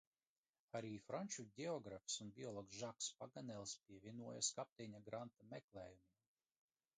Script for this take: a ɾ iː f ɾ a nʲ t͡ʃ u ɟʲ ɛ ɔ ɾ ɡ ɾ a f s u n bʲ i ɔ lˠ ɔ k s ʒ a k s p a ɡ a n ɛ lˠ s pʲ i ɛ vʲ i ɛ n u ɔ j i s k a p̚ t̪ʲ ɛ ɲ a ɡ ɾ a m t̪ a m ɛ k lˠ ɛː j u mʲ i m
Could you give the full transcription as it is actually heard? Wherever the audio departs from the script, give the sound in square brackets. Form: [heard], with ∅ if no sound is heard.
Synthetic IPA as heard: a ɾ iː f ɾ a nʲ t͡ʃ u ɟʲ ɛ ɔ [∅] ɡ ɾ a f s u n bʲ i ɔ lˠ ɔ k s ʒ a k s p a ɡ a n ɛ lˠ s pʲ i ɛ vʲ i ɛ n u ɔ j [a] s k a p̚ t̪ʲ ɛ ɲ a ɡ ɾ a [n] t̪ a m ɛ k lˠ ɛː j u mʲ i m